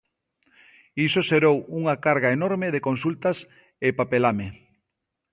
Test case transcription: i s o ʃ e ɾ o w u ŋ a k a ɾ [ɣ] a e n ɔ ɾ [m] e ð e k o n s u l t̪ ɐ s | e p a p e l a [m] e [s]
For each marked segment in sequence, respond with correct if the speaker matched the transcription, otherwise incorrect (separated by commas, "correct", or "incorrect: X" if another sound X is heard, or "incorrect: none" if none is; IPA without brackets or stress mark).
correct, correct, correct, incorrect: none